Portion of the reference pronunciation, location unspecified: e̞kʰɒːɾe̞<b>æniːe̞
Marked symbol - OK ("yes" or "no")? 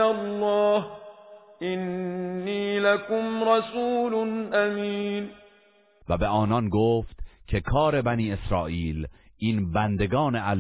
yes